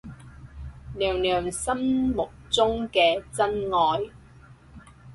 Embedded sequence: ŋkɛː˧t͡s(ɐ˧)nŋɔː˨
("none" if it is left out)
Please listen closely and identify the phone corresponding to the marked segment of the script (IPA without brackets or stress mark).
ɐ˥